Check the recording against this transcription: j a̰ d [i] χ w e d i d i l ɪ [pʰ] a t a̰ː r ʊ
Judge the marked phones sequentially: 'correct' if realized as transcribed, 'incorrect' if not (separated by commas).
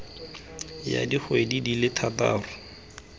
correct, incorrect